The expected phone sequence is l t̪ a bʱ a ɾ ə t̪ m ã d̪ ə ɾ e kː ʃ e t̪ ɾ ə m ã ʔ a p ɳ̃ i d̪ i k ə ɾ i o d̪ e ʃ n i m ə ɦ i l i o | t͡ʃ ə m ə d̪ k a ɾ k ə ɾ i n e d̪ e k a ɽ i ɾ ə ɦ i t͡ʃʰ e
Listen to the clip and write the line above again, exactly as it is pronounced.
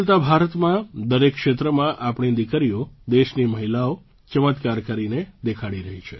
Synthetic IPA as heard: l t̪ a bʱ a ɾ ə t̪ m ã d̪ ə ɾ e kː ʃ e t̪ ɾ ə m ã ʔ a p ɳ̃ i d̪ i k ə ɾ i o d̪ e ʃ n i m ə ɦ i l a o | t͡ʃ ə m ə t̪ k a ɾ k ə ɾ i n e d̪ e kʰ a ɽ i ɾ ə ɦ i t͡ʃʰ e